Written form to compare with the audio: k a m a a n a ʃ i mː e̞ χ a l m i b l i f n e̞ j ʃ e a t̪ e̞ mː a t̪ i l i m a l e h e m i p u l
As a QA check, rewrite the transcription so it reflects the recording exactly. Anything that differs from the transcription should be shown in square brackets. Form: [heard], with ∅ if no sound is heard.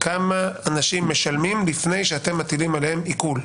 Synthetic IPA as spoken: k a m a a n a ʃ i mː e̞ [ʃ] a l m i [m] l i f n e̞ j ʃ e a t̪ e̞ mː a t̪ i l i m a l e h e m i [k] u l